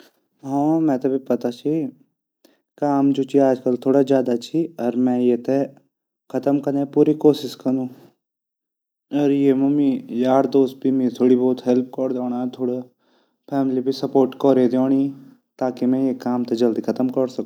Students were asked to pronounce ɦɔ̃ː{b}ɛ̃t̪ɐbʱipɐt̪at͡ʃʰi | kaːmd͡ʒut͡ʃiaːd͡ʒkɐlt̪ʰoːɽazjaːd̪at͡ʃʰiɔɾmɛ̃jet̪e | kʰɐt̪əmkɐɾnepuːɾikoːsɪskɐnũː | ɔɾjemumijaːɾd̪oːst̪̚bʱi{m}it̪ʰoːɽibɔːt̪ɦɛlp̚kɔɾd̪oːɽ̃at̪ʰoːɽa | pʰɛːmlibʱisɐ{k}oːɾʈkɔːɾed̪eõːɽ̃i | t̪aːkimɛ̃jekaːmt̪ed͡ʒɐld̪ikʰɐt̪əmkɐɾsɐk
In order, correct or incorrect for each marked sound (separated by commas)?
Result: incorrect, correct, incorrect